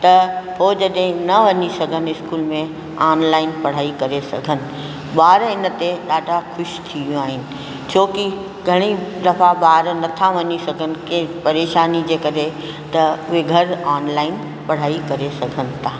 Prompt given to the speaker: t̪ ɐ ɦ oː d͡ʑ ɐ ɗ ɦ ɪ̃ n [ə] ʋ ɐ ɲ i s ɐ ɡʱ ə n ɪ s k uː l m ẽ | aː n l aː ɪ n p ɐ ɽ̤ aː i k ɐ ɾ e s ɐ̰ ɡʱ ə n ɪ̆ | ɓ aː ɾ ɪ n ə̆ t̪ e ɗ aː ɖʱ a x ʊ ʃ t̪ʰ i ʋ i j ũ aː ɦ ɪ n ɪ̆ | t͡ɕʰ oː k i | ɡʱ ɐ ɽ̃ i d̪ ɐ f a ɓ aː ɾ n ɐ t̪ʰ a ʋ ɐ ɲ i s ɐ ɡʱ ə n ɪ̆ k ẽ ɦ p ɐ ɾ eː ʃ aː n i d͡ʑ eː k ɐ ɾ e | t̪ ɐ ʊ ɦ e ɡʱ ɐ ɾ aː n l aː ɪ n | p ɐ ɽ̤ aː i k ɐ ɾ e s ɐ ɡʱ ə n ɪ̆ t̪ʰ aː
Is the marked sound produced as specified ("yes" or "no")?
no